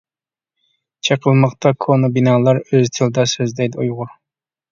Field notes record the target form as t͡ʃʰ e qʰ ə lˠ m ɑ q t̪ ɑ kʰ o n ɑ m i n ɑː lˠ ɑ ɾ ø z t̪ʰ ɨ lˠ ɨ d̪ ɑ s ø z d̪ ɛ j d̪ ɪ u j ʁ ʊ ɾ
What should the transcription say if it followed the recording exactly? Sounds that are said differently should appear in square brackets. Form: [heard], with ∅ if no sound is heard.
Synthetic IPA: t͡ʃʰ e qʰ ə lˠ m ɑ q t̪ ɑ kʰ o n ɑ [b] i n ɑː lˠ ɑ ɾ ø z t̪ʰ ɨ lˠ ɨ d̪ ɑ s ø z d̪ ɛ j d̪ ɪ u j ʁ ʊ ɾ